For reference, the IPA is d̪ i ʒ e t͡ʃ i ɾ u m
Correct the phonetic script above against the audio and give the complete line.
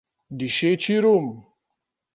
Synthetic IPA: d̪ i ʃ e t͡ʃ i ɾ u m